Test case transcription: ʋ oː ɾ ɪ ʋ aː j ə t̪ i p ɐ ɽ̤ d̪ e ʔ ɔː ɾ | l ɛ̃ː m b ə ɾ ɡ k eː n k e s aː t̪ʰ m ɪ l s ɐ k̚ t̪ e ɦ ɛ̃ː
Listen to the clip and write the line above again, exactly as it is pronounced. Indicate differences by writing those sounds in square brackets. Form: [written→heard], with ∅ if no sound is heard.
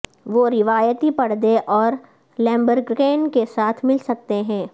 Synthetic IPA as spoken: ʋ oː ɾ ɪ ʋ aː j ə t̪ i p ɐ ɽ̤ d̪ e ʔ ɔː ɾ | l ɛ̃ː m b ə ɾ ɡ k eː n k e s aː t̪ʰ m ɪ l s ɐ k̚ t̪ e ɦ ɛ̃ː